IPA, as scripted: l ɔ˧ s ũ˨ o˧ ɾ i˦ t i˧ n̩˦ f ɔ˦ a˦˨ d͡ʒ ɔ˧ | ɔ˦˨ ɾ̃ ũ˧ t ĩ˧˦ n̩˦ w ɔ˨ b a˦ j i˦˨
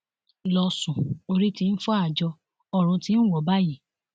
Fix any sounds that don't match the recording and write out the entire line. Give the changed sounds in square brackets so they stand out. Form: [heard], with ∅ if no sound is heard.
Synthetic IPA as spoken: l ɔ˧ s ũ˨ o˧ ɾ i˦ t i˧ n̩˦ f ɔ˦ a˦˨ d͡ʒ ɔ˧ | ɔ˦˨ ɾ̃ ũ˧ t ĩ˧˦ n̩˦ w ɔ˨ b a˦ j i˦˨